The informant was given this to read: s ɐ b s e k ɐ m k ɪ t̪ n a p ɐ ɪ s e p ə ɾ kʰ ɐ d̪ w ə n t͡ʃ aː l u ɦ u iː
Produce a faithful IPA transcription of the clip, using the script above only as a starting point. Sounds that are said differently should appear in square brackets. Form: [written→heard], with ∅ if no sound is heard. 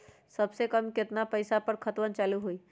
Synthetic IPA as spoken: s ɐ b s e k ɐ m k ɪ t̪ n a p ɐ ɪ s [e→a] p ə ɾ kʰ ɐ [d̪→t̪] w ə n t͡ʃ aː l u ɦ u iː